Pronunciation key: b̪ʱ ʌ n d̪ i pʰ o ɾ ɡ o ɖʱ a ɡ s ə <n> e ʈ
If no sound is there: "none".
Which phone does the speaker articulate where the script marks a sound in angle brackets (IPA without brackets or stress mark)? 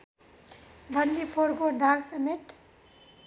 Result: m